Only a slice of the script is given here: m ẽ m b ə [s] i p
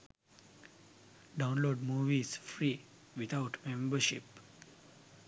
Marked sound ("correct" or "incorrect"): incorrect